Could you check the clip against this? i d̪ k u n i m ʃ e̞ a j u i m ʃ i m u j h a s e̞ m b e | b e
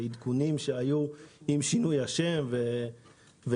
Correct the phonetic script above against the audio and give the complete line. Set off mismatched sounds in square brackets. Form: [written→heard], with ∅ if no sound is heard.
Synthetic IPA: i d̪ k u n i m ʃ e̞ a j u i m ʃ i [m→n] u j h a [s→ʃ] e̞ m [b→v] e | [b→v] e